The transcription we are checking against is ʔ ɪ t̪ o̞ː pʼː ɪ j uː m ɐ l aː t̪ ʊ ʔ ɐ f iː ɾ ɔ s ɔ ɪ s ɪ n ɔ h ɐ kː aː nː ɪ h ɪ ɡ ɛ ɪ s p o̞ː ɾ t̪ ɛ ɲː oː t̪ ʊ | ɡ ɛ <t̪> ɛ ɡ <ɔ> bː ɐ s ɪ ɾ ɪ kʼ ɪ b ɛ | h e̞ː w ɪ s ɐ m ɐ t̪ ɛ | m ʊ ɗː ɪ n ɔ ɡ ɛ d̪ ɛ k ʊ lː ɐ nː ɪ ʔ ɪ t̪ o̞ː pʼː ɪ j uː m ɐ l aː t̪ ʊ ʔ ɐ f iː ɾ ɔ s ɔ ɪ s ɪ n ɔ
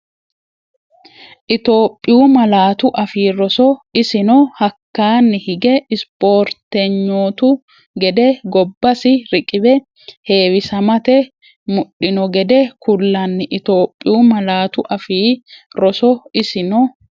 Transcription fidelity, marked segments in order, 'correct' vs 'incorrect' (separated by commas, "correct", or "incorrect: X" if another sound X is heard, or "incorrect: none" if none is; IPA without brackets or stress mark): incorrect: d̪, correct